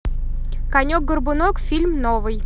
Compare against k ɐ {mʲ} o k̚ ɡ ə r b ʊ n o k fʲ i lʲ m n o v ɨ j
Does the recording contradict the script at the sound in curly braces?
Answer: yes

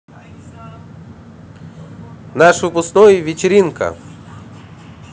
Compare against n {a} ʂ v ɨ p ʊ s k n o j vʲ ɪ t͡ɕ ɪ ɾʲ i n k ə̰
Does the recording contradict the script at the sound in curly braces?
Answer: no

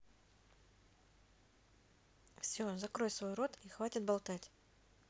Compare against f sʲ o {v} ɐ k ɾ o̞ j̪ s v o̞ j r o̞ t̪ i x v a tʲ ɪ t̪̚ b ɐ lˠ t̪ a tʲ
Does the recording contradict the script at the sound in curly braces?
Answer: yes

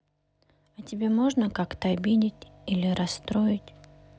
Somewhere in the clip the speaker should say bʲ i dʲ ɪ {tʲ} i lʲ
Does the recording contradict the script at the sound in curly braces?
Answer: no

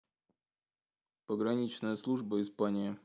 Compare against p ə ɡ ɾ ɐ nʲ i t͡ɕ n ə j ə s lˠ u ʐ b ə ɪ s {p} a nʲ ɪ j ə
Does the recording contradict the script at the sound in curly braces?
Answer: no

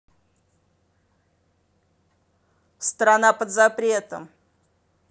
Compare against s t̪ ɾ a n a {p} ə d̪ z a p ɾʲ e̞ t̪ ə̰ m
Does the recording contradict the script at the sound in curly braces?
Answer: no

